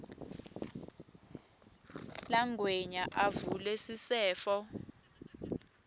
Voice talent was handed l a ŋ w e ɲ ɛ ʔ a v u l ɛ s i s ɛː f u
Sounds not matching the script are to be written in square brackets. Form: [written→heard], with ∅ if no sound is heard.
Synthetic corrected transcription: l a ŋ w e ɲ [ɛ→a] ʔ a v u l ɛ s i s ɛː f [u→ɔ]